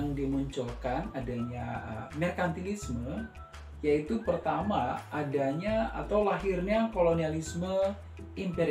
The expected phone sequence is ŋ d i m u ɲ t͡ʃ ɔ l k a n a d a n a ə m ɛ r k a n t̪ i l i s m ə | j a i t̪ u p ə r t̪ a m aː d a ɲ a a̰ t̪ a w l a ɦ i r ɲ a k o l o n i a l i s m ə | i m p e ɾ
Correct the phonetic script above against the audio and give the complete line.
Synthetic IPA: ŋ d i m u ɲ t͡ʃ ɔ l k a n a d a ɲ a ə m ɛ r k a n t̪ i l i s m ə | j a i t̪ u p ə r t̪ a m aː d a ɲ a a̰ t̪ a w l a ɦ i r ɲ a k o l o n i a l i s m ə | i m p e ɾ